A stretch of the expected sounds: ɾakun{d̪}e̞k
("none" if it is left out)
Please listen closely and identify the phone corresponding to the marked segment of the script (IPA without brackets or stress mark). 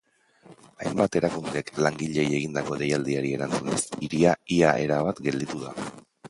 d̪